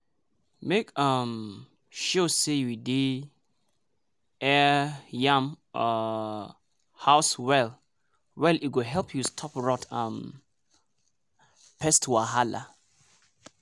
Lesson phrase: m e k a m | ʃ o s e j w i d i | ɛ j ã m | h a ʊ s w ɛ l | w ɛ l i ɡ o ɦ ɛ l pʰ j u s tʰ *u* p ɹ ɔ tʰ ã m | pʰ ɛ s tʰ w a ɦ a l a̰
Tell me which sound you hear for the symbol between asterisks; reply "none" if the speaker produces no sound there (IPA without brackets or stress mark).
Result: ɔ